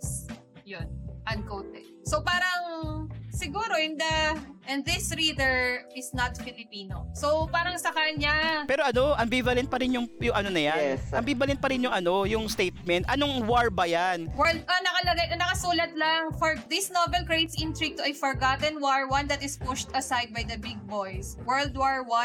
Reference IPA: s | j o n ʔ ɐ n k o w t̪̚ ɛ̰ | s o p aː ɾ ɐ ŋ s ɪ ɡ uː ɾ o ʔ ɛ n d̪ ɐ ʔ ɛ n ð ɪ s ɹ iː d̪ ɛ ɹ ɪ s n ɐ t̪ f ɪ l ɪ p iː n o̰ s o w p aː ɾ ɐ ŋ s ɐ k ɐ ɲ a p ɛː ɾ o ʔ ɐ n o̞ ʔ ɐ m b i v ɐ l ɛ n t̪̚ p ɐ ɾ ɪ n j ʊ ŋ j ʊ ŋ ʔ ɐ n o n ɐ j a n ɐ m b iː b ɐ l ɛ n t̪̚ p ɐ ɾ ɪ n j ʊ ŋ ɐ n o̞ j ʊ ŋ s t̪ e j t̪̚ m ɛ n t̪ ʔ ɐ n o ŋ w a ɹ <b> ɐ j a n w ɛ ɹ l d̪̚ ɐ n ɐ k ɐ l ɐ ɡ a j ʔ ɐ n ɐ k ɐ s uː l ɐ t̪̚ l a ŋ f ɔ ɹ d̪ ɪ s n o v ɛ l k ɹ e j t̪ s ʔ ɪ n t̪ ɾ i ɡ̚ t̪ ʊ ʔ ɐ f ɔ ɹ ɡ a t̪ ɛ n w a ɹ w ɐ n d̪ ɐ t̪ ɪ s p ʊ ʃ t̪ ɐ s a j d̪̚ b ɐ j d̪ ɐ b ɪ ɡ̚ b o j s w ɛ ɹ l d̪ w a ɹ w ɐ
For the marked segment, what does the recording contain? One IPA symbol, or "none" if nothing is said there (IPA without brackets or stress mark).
b